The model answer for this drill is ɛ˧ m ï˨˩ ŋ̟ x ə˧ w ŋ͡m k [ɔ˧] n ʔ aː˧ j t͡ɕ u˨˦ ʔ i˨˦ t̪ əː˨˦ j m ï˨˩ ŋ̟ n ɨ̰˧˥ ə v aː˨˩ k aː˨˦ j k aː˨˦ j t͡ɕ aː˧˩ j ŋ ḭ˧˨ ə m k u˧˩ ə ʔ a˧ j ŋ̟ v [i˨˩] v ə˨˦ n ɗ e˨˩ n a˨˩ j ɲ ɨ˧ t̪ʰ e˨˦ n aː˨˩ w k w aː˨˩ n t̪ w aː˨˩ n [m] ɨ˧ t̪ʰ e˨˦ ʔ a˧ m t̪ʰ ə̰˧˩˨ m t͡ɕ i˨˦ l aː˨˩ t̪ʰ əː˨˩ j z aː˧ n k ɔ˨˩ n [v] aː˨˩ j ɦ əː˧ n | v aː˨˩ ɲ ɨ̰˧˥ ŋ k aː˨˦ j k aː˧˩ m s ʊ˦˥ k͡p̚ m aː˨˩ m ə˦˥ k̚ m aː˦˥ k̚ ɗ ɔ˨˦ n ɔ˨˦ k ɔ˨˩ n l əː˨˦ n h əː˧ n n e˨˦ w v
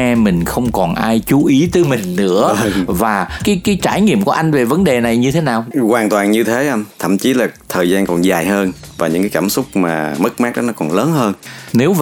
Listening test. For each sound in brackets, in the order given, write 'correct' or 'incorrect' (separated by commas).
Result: incorrect, incorrect, incorrect, incorrect